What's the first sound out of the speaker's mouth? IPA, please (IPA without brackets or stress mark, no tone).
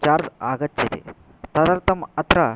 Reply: t͡ʃ